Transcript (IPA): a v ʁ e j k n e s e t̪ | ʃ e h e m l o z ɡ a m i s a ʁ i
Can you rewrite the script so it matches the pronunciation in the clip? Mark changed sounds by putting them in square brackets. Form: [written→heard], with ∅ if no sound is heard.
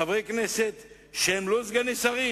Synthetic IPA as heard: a v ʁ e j k n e s e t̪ | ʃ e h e m l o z ɡ a [m→n] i s a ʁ i